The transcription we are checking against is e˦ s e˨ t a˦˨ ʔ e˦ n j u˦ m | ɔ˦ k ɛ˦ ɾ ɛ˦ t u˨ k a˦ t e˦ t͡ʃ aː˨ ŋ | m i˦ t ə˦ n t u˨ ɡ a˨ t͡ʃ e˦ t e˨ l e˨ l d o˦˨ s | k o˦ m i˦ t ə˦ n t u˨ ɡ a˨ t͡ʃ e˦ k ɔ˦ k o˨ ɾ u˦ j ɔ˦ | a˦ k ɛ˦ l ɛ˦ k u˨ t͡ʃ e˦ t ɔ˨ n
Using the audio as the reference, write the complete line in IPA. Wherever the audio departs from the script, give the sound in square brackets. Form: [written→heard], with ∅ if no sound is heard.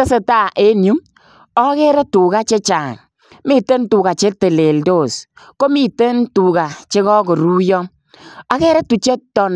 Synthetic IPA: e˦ s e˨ t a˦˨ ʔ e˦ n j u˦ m | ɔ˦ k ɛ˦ ɾ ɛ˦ t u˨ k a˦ [t→t͡ʃ] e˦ t͡ʃ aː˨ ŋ | m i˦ t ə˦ n t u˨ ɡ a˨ t͡ʃ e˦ t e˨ l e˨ l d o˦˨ s | k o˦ m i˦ t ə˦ n t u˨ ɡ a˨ t͡ʃ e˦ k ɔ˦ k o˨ ɾ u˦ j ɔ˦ | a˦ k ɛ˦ [l→ɾ] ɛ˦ [k→t] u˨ t͡ʃ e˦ t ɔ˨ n